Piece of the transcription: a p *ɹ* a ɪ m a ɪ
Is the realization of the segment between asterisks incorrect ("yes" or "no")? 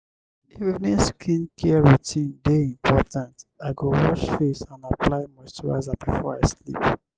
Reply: yes